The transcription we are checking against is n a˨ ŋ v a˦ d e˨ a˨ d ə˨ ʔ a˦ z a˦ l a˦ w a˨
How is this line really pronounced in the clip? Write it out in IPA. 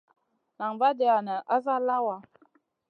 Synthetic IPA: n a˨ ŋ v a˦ d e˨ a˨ n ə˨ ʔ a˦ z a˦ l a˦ w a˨